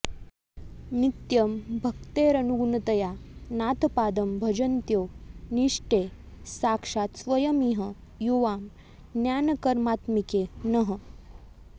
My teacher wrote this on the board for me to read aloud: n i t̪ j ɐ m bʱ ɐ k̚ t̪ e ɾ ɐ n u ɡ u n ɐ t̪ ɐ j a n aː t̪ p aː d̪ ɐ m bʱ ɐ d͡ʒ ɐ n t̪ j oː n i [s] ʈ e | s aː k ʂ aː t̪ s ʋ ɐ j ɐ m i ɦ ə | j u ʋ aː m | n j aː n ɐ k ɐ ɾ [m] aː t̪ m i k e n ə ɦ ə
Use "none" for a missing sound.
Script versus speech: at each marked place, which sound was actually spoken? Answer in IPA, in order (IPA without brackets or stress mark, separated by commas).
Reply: ʂ, m